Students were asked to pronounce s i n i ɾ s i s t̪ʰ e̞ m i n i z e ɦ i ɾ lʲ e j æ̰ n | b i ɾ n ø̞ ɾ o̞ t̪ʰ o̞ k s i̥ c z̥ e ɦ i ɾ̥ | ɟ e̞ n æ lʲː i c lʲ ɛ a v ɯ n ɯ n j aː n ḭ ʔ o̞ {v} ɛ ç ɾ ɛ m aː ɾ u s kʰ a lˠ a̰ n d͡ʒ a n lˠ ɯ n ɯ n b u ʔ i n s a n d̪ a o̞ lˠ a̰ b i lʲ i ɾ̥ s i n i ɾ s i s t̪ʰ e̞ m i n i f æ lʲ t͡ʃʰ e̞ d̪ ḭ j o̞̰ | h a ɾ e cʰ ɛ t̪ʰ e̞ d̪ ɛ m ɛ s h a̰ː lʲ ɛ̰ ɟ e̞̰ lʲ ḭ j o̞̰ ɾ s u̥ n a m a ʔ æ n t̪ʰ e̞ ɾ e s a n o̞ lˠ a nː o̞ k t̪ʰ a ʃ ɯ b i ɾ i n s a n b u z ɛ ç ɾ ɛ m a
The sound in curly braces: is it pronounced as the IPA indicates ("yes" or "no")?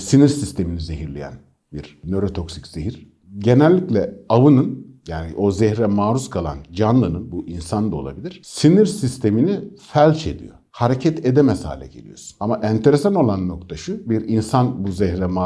no